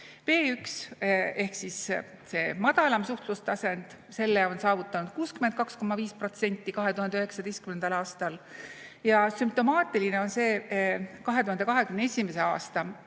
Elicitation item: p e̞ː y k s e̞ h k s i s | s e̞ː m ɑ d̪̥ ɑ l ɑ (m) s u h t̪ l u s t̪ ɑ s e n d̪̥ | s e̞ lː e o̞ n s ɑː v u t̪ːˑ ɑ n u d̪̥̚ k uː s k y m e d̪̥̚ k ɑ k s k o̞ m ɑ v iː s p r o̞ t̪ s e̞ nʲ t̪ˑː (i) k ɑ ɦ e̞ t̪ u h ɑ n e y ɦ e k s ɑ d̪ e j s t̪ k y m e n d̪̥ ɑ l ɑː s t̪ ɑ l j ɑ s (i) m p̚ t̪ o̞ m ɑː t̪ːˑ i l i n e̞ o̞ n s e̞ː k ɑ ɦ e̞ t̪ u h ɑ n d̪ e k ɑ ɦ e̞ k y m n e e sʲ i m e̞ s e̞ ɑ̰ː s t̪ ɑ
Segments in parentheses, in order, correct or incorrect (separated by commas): correct, correct, incorrect